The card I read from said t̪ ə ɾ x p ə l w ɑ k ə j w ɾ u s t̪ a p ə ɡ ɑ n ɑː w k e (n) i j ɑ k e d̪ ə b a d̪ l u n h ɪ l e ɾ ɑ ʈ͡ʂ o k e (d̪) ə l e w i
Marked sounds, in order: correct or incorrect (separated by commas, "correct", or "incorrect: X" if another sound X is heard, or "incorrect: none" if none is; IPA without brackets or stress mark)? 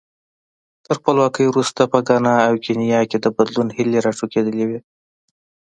correct, correct